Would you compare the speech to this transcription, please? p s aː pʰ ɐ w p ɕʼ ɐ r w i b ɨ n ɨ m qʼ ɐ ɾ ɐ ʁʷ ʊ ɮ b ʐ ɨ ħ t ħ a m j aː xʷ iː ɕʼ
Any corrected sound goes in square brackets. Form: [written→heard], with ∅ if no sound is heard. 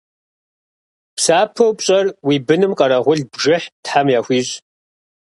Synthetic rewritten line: p s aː pʰ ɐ w p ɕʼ ɐ r w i b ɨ n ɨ m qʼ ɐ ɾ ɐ ʁʷ ʊ ɮ b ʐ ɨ ħ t ħ a m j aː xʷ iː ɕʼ